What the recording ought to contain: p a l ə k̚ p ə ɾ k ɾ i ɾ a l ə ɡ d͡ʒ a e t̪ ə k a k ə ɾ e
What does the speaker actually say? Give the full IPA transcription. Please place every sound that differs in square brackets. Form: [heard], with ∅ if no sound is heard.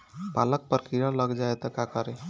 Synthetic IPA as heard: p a l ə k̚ p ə ɾ k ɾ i ɾ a l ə ɡ d͡ʒ a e t̪ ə k a k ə ɾ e